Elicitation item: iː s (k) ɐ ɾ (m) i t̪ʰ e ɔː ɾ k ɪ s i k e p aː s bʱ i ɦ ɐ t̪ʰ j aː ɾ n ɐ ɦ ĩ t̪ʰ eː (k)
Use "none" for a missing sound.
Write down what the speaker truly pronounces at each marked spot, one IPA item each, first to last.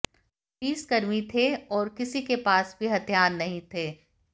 k, m, none

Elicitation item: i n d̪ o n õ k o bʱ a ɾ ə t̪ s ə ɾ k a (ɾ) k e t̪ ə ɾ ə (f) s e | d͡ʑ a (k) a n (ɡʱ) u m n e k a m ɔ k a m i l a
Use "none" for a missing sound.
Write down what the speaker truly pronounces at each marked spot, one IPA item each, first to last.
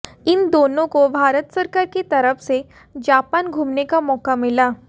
ɾ, f, p, ɡʱ

